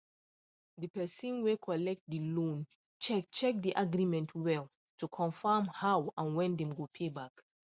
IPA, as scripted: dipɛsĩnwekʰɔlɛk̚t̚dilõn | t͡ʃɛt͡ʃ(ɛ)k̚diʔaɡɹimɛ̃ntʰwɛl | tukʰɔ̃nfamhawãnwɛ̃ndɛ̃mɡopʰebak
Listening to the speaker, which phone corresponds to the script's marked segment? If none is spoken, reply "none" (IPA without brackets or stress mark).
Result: ɛ